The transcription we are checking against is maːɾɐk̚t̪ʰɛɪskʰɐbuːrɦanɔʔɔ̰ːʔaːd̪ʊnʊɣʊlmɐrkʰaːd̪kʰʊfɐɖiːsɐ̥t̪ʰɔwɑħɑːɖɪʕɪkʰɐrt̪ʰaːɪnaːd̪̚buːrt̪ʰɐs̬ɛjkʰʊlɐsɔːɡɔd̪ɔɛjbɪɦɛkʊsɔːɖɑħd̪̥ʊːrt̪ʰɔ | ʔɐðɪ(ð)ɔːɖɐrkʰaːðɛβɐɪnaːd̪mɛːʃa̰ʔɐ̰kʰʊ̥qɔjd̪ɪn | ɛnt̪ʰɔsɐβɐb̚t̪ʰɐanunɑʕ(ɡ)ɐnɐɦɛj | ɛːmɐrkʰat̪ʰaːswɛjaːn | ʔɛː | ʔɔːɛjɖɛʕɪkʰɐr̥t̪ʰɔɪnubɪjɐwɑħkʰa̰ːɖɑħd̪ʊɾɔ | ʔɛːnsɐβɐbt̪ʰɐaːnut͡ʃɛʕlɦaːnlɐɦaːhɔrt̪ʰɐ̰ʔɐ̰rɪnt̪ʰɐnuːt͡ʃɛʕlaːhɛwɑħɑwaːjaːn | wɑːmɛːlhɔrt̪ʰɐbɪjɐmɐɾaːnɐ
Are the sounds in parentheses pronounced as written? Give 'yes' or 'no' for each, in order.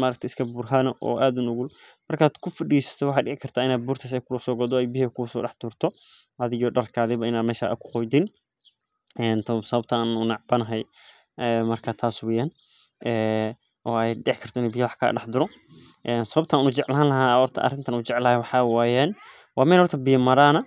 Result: no, no

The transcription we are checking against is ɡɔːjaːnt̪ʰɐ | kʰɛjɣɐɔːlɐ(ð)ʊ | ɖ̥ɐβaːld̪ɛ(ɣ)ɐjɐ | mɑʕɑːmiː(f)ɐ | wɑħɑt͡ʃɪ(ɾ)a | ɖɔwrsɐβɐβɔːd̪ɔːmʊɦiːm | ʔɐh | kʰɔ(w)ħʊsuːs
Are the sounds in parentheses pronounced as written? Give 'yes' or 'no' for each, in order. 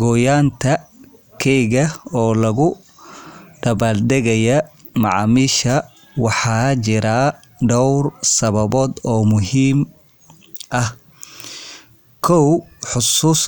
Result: no, yes, no, yes, yes

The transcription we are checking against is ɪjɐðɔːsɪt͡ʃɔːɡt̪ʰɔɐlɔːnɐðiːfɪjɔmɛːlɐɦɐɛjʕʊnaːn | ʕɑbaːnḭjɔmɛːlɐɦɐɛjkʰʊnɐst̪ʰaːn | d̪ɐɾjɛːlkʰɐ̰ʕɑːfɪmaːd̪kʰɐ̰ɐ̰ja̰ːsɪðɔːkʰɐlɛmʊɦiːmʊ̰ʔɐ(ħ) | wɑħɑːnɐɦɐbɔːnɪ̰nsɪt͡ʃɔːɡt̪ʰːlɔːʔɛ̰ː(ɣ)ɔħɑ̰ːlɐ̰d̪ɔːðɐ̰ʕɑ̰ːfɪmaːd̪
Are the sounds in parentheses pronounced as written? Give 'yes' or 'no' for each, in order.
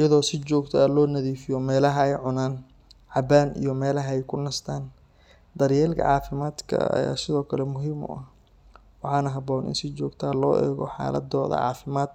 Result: no, yes

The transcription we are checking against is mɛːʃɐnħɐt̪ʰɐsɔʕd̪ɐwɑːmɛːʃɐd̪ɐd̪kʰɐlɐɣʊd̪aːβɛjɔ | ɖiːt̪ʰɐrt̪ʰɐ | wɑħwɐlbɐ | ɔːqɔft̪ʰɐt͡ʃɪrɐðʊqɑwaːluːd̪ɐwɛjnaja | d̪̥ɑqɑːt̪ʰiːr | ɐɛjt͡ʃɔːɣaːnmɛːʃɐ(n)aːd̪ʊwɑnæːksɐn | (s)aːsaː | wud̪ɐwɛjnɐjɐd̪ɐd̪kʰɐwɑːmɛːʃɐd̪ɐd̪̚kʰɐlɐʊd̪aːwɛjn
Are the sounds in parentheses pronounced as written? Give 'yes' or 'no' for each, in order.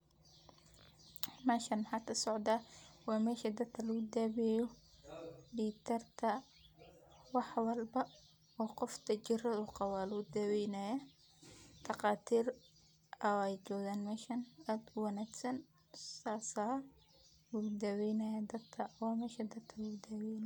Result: yes, yes

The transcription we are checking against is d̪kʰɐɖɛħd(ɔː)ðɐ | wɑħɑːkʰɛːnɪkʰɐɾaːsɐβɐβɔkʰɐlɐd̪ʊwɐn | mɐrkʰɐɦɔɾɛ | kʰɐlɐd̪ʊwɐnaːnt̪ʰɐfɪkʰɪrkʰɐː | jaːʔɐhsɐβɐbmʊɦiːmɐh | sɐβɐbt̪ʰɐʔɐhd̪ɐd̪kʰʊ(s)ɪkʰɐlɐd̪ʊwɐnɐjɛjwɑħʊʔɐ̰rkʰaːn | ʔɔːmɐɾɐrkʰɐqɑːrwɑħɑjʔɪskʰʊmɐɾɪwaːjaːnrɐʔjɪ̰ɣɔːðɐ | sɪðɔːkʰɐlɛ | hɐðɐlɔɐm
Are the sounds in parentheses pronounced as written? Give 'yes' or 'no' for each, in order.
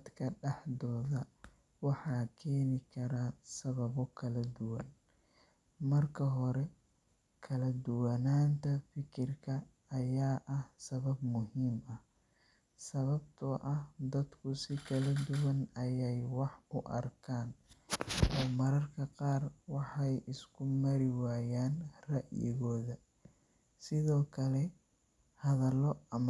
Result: yes, yes

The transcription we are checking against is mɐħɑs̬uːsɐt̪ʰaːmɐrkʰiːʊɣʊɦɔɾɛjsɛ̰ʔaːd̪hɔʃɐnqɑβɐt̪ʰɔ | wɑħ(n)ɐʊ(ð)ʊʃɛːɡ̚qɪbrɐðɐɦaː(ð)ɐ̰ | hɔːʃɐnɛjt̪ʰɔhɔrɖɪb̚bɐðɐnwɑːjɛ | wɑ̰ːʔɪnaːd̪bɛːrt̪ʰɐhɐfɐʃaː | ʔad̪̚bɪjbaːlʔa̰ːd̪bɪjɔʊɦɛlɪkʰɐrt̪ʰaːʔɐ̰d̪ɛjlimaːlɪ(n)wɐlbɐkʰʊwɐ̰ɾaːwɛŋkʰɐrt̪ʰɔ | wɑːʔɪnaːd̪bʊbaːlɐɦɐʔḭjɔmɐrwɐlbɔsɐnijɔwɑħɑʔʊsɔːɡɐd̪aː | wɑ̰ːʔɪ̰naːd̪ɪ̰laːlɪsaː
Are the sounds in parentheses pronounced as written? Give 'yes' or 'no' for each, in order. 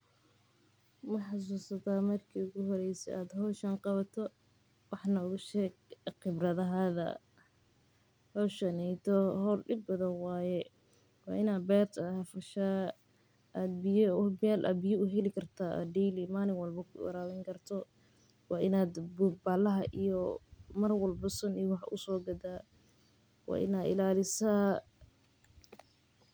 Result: yes, no, yes, no

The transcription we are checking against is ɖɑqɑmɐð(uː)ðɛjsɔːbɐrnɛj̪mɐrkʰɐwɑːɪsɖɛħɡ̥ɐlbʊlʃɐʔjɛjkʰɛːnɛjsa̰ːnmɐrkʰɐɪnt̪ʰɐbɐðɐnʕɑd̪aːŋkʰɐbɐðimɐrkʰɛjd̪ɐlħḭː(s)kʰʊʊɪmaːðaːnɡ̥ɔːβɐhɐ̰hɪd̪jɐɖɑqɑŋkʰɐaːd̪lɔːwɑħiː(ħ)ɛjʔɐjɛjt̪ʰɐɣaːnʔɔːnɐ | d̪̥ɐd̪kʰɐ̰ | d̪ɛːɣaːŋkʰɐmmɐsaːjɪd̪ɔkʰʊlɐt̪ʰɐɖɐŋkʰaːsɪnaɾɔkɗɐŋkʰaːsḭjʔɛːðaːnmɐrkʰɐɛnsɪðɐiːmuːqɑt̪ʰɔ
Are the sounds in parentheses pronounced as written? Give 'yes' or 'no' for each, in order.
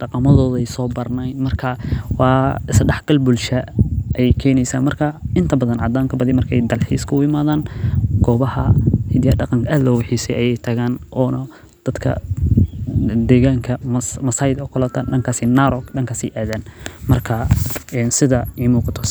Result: no, yes, no

